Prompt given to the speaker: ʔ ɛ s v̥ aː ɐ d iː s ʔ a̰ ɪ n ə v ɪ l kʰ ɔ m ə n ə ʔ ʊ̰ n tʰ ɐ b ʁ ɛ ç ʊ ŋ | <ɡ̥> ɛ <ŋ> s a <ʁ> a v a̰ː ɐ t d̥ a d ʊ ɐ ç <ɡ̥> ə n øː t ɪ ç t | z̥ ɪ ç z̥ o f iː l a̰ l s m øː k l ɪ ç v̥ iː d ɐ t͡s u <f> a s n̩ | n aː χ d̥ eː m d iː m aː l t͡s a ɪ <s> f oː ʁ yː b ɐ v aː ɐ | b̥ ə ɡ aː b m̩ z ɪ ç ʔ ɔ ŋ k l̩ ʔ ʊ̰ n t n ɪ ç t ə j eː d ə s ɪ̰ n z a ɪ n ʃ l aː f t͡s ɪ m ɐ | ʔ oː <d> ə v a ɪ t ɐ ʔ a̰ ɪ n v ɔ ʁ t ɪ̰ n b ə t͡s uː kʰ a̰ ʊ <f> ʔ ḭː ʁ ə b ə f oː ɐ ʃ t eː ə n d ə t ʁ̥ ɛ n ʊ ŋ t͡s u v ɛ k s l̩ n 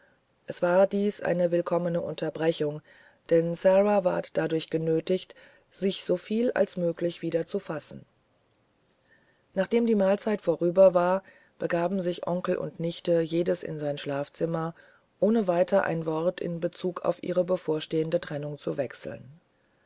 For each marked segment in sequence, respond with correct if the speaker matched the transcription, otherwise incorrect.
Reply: incorrect: d̥, incorrect: n, correct, correct, correct, incorrect: t, incorrect: n, correct

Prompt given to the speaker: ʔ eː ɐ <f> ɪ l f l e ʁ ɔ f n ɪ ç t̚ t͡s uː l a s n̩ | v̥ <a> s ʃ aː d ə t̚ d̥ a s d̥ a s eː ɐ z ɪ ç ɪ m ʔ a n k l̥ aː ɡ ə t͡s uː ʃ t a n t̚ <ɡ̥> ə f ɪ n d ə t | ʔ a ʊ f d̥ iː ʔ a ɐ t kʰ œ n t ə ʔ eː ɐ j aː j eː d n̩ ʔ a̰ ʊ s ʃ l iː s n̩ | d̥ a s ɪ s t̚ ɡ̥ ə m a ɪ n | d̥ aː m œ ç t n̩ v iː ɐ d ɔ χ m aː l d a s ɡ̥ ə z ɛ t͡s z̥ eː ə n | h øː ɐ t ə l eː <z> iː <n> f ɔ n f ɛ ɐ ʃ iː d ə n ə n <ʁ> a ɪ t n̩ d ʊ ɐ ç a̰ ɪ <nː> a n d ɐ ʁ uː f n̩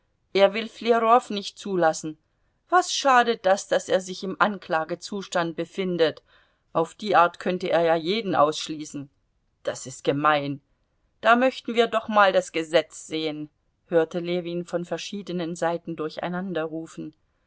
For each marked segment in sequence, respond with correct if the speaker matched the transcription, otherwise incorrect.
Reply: incorrect: v, correct, incorrect: b̥, incorrect: v, correct, incorrect: z, incorrect: n

